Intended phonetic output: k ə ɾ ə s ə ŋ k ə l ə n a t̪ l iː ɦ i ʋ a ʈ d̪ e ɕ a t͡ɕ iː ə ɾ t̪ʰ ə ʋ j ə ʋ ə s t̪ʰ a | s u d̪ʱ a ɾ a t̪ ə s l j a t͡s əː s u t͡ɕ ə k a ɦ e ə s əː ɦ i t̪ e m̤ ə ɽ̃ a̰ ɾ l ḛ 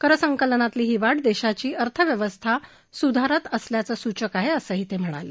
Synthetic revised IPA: k ə ɾ ə s ə ŋ k ə l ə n a t̪ l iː ɦ i ʋ a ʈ d̪ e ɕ a t͡ɕ iː ə ɾ t̪ʰ ə ʋ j ə ʋ ə s t̪ʰ a | s u d̪ʱ a ɾ a t̪ ə s l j a t͡s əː s u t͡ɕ ə k a ɦ e ə s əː ɦ i t̪ e m̤ ə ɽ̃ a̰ l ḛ